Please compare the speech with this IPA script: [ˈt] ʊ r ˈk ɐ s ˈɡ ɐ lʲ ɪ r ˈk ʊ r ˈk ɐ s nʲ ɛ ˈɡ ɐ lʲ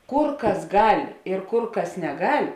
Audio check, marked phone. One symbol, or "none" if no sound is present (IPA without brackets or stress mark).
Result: k